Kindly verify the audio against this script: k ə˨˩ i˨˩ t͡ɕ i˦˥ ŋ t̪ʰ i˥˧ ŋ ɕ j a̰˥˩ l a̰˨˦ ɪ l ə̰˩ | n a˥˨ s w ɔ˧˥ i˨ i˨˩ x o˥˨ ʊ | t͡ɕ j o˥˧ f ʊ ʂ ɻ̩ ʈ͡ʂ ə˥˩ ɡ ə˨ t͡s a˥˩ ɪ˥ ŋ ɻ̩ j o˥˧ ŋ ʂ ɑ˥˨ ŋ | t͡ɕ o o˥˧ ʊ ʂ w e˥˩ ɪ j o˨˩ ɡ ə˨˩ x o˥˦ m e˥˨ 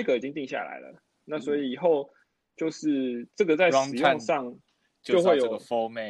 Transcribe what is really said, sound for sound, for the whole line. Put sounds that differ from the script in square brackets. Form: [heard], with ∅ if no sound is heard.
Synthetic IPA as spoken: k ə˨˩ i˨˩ t͡ɕ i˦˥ ŋ [t̪] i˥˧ ŋ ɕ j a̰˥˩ l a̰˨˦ ɪ l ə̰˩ | n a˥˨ s w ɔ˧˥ i˨ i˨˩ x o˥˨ ʊ | t͡ɕ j o˥˧ [∅] ʊ ʂ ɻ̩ ʈ͡ʂ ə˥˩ ɡ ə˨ t͡s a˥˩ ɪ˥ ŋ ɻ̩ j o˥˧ ŋ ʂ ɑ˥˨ ŋ | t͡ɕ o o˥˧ ʊ [x] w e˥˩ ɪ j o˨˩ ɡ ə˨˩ [f] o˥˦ m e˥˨